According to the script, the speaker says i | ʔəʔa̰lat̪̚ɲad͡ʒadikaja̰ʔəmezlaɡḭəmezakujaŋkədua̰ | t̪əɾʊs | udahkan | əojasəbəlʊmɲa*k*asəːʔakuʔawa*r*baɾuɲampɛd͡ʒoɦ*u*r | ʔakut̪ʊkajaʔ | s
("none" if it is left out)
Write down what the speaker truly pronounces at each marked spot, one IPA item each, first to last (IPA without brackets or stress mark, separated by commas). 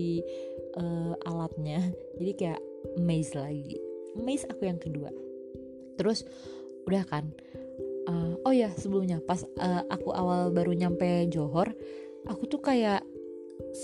p, l, ɔ